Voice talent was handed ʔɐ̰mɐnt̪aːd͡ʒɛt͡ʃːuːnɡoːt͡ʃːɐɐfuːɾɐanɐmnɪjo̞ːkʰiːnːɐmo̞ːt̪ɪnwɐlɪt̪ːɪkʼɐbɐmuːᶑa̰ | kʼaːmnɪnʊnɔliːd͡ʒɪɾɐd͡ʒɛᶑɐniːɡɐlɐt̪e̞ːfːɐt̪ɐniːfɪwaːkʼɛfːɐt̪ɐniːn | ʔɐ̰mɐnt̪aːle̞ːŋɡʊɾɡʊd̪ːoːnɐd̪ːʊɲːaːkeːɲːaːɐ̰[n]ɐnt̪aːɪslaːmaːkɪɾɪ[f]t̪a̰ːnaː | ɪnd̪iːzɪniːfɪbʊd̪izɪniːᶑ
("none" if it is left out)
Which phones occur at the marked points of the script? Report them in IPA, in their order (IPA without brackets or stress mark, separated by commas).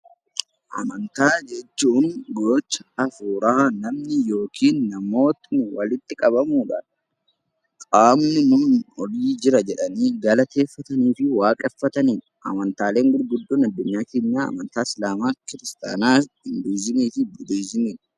m, s